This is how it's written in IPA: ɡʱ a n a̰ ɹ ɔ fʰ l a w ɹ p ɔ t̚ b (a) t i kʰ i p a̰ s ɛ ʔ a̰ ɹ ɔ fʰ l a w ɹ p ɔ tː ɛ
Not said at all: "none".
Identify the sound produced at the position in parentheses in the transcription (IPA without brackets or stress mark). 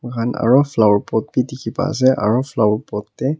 i